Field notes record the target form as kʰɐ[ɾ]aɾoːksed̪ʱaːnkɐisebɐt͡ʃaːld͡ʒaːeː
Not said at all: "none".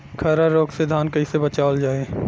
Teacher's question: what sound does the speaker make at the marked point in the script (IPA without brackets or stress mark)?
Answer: ɾ